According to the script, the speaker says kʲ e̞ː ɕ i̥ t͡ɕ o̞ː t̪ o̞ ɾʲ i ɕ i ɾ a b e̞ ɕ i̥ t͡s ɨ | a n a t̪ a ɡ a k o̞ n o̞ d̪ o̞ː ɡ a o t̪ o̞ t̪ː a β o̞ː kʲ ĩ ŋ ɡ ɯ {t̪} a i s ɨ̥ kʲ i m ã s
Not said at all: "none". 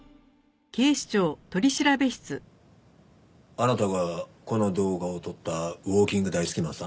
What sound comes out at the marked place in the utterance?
d̪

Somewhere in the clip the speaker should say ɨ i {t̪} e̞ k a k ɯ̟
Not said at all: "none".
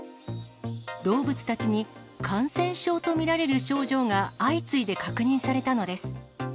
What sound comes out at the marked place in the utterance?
d̪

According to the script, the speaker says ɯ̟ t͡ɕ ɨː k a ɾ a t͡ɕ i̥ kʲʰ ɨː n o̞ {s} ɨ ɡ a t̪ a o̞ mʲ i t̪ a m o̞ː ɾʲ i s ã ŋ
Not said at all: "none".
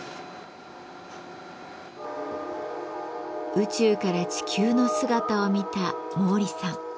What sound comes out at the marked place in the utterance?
s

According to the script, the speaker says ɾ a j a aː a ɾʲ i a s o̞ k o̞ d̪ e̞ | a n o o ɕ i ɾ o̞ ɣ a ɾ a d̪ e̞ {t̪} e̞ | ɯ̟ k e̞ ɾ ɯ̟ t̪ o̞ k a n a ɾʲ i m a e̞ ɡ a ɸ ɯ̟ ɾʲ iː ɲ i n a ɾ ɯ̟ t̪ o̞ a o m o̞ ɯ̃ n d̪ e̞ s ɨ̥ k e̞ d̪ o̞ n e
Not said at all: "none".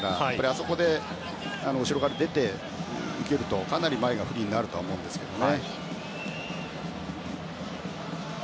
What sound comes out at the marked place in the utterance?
t̪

